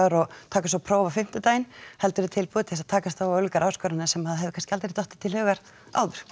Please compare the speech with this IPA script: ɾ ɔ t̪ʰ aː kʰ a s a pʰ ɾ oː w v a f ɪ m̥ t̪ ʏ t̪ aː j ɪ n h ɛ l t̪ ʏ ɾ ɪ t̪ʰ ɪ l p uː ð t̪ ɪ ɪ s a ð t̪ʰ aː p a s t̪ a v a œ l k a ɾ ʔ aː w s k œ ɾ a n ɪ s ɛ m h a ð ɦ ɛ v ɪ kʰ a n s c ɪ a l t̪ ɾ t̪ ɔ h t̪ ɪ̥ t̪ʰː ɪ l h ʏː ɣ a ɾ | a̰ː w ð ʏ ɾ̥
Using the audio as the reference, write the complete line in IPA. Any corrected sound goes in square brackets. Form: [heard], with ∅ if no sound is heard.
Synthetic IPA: ɾ ɔ t̪ʰ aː [k] a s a pʰ ɾ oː w v a f ɪ m̥ t̪ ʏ t̪ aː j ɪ n h ɛ l t̪ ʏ ɾ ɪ t̪ʰ ɪ l p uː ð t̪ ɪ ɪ s a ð t̪ʰ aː [k] a s t̪ a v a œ l k a ɾ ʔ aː w s k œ ɾ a n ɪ s ɛ m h a ð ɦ ɛ v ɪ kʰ a n s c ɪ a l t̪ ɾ t̪ ɔ h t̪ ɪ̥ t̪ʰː ɪ l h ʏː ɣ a ɾ | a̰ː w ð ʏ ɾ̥